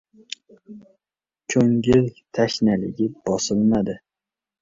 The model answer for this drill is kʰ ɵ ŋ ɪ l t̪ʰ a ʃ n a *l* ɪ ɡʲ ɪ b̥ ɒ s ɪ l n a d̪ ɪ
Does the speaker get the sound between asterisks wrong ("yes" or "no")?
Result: no